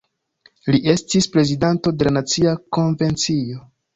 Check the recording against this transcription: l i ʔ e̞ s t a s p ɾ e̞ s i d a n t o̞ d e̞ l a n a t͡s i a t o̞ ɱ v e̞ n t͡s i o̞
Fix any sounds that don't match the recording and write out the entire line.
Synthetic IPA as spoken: l i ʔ e̞ s t i s p ɾ e̞ z i d a n t o̞ d e̞ l a n a t͡s i a k o̞ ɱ v e̞ n t͡s i o̞